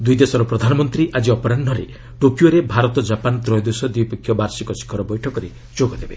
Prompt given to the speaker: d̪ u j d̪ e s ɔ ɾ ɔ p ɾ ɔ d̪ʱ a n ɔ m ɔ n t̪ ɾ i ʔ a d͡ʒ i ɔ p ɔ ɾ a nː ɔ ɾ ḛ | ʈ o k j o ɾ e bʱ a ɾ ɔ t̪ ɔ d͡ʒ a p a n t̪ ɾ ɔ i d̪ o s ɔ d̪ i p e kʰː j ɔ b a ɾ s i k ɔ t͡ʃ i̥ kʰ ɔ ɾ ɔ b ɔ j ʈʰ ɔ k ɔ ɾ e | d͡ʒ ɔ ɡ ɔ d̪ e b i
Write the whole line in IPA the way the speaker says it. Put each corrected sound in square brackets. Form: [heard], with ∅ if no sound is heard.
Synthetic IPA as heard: d̪ u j d̪ e s ɔ ɾ ɔ p ɾ ɔ d̪ʱ a n ɔ m ɔ n t̪ ɾ i ʔ a d͡ʒ i ɔ p ɔ ɾ a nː ɔ ɾ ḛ | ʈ o k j o ɾ e bʱ a ɾ ɔ t̪ ɔ d͡ʒ a p a n t̪ ɾ ɔ [j] d̪ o s ɔ d̪ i p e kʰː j ɔ b a ɾ s i k ɔ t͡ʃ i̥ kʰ ɔ ɾ ɔ b ɔ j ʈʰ ɔ k ɔ ɾ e | d͡ʒ [o] ɡ ɔ d̪ e b [e]

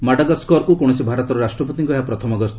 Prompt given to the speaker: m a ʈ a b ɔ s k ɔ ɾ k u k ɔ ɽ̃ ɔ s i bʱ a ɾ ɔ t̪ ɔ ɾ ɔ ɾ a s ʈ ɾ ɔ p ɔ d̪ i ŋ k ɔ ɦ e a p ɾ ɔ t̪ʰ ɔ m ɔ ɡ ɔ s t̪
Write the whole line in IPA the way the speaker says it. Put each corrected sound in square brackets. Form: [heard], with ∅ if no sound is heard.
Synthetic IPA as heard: m a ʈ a [ɡ] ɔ s k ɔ ɾ k u k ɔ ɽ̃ ɔ s i bʱ a ɾ ɔ t̪ ɔ ɾ ɔ ɾ a s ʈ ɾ ɔ p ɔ [t̪] i ŋ k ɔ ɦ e a p ɾ ɔ t̪ʰ ɔ m ɔ ɡ ɔ s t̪

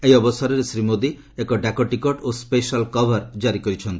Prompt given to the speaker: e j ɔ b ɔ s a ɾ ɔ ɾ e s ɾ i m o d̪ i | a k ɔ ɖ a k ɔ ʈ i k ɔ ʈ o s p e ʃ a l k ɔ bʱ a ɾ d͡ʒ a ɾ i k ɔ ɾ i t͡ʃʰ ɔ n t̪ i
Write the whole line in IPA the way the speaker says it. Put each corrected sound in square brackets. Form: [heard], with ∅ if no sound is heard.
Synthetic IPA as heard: e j ɔ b ɔ s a ɾ ɔ ɾ e s ɾ i m o d̪ i | [e] k ɔ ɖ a k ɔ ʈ i k ɔ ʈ o s p e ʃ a l k ɔ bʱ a ɾ d͡ʒ a ɾ i k ɔ ɾ i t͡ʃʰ ɔ n t̪ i

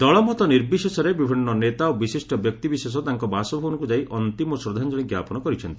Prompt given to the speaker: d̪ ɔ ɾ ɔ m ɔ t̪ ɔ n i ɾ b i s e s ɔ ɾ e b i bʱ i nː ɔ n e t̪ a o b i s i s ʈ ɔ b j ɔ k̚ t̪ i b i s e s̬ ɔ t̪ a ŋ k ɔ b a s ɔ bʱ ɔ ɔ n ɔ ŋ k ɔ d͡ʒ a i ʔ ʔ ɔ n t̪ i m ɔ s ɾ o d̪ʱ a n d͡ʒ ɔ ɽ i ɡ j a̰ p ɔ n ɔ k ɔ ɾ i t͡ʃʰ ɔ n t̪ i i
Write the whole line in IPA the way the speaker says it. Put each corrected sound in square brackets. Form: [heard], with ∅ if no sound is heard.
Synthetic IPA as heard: d̪ ɔ [ɭ] ɔ m ɔ t̪ ɔ n i ɾ b i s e s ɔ ɾ e b i bʱ i nː ɔ n e t̪ a o b i s i s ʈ ɔ b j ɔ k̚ t̪ i b i s e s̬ ɔ t̪ a ŋ k ɔ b a s ɔ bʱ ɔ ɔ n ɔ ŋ k [u] d͡ʒ a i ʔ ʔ ɔ n t̪ i m ɔ s ɾ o d̪ʱ a n d͡ʒ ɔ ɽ i ɡ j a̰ p ɔ n ɔ k ɔ ɾ i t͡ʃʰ ɔ n t̪ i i

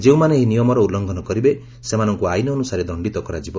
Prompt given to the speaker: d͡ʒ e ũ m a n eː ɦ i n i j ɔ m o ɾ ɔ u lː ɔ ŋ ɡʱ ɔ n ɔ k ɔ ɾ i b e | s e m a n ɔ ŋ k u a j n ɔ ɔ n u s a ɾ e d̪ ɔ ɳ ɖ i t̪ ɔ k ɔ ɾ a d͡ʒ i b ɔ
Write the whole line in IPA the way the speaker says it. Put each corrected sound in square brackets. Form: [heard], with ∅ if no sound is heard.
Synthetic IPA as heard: d͡ʒ e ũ m a n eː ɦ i n i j ɔ m [ɔ] ɾ ɔ u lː ɔ ŋ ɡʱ ɔ n ɔ k ɔ ɾ i b e | s e m a n ɔ ŋ k u a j n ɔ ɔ n u s a ɾ e d̪ ɔ ɳ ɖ i t̪ ɔ k ɔ ɾ a d͡ʒ i b ɔ

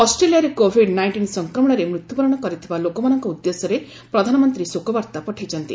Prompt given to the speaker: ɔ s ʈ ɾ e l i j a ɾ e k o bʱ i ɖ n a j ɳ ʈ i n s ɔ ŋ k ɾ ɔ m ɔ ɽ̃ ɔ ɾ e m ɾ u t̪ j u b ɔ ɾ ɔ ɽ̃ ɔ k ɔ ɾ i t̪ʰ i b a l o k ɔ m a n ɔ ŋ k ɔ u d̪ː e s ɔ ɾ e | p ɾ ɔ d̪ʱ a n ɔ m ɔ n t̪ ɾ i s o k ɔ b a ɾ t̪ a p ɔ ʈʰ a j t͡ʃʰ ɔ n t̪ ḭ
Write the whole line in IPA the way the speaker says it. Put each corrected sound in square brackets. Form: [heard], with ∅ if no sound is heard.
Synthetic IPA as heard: ɔ s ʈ ɾ e l i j a ɾ e k o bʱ i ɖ n a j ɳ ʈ i n s ɔ ŋ k ɾ ɔ m ɔ ɽ̃ ɔ ɾ e m ɾ u t̪ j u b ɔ ɾ ɔ ɽ̃ ɔ k ɔ ɾ i t̪ʰ i b a l o k ɔ m a n ɔ ŋ k ɔ u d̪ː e s ɔ ɾ e | p ɾ ɔ d̪ʱ a n ɔ m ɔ n t̪ ɾ i s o k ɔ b a ɾ t̪ a p ɔ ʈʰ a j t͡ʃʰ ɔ n t̪ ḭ

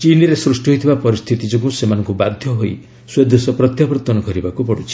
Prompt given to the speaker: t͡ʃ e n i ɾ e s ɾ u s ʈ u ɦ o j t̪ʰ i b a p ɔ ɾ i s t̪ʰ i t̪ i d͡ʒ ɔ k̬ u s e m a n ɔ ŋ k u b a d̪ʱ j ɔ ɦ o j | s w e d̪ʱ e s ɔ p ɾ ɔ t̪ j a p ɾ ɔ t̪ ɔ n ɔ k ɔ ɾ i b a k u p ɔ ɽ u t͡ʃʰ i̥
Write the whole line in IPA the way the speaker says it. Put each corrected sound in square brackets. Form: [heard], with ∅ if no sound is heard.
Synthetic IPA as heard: t͡ʃ [i] n i ɾ e s ɾ u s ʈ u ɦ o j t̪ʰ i b a p ɔ ɾ i s t̪ʰ i t̪ i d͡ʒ ɔ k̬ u s e m a n ɔ ŋ k u b a d̪ʱ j ɔ ɦ o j | s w e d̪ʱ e s ɔ p ɾ ɔ t̪ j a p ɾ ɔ t̪ ɔ n ɔ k ɔ ɾ i b a k u p ɔ ɽ u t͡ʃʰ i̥

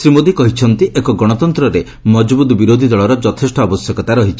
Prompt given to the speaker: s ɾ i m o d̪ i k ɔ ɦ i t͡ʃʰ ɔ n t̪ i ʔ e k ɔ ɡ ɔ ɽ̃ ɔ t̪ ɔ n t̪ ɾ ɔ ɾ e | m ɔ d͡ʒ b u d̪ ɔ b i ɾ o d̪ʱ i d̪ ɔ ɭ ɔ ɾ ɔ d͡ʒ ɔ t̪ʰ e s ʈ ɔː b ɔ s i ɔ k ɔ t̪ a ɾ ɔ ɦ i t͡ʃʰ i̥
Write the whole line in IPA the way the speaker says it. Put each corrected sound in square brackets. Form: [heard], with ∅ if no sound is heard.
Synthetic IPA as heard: s ɾ i m o d̪ i k ɔ ɦ i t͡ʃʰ ɔ n t̪ i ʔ e k ɔ ɡ ɔ ɽ̃ ɔ t̪ ɔ n t̪ ɾ ɔ ɾ e | m ɔ d͡ʒ b u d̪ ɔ b i ɾ o d̪ʱ i d̪ ɔ ɭ ɔ ɾ ɔ d͡ʒ ɔ t̪ʰ e s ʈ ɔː b ɔ s [j] ɔ k ɔ t̪ a ɾ ɔ ɦ i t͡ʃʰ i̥

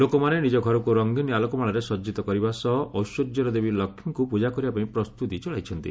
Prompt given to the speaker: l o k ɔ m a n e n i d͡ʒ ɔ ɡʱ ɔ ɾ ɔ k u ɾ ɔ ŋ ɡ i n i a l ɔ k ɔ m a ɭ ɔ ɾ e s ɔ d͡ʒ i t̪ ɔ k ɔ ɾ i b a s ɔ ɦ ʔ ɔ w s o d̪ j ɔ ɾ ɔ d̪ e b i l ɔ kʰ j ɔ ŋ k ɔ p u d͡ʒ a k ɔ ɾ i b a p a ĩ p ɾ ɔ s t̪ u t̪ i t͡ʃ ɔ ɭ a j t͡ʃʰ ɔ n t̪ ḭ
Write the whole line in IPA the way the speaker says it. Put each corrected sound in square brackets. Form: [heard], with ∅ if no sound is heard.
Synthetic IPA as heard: l o k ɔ m a n e n i d͡ʒ ɔ ɡʱ ɔ ɾ ɔ k u ɾ ɔ ŋ ɡ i n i a l ɔ k ɔ m a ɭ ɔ ɾ e s ɔ d͡ʒ i t̪ ɔ k ɔ ɾ i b a s ɔ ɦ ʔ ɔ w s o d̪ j ɔ ɾ ɔ d̪ e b i l ɔ kʰ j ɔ ŋ k [u] p u d͡ʒ a k ɔ ɾ i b a p a ĩ p ɾ ɔ s t̪ u t̪ i t͡ʃ ɔ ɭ a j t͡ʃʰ ɔ n t̪ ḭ

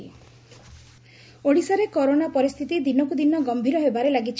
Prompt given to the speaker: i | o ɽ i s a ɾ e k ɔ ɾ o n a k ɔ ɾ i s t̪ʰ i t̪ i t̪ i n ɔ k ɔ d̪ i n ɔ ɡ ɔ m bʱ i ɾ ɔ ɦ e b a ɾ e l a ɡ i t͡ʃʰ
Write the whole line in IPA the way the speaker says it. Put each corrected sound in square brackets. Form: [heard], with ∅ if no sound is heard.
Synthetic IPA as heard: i | o ɽ i s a ɾ e k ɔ ɾ o n a [p] ɔ ɾ i s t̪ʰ i t̪ i [d̪] i n ɔ k [u] d̪ i n ɔ ɡ ɔ m bʱ i ɾ ɔ ɦ e b a ɾ e l a ɡ i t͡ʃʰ

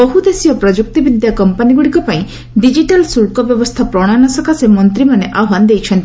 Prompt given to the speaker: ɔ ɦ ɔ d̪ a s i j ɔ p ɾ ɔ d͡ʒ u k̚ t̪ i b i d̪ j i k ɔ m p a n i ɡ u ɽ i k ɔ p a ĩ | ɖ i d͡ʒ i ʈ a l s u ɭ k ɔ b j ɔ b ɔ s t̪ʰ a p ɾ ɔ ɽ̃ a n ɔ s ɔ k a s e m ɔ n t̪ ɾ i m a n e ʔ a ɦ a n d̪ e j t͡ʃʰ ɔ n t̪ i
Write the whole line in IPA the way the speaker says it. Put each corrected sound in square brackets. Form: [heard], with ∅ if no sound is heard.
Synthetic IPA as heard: ɔ ɦ [u] d̪ [e] s i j ɔ p ɾ ɔ d͡ʒ u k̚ t̪ i b i d̪ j [a] k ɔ m p a n i ɡ u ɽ i k ɔ p a ĩ | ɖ i d͡ʒ i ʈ a l s u ɭ k ɔ b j ɔ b ɔ s t̪ʰ a p ɾ ɔ ɽ̃ a n ɔ s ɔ k a s e m ɔ n t̪ ɾ i m a n e ʔ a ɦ a n d̪ e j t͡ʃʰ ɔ n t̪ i

